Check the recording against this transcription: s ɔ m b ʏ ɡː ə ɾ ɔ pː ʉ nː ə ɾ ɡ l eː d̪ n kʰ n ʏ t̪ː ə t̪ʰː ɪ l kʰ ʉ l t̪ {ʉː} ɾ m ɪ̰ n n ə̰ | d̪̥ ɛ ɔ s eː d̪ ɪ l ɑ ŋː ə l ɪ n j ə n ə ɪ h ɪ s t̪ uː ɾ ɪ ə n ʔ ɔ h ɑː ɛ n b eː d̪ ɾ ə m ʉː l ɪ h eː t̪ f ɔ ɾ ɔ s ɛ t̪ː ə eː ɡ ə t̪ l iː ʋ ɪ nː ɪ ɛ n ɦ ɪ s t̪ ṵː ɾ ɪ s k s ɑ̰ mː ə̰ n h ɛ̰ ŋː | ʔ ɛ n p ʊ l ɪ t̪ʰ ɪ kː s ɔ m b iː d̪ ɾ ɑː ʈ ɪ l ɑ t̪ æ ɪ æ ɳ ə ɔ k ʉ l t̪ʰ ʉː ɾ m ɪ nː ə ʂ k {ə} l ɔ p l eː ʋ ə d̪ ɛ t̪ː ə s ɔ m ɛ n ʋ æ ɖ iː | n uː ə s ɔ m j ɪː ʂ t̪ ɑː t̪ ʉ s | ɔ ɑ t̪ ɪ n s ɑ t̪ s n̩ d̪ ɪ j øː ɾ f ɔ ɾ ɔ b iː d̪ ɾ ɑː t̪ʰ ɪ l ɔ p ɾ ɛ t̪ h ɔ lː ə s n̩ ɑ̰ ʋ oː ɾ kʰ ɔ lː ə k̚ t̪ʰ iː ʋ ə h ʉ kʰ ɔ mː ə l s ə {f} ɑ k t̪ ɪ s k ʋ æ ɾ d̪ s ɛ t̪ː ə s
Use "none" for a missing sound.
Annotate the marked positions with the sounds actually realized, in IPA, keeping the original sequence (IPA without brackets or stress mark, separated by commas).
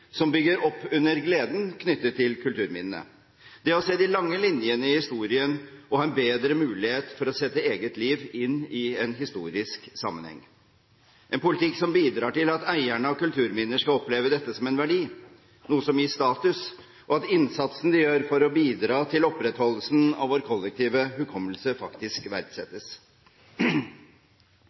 ʉː, ɑ, f